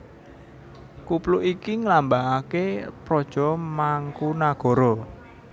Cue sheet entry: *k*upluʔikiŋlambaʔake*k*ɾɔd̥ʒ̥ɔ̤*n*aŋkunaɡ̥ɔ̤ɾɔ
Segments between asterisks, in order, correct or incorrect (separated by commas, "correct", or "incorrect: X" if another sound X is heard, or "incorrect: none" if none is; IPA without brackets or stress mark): correct, incorrect: p, incorrect: m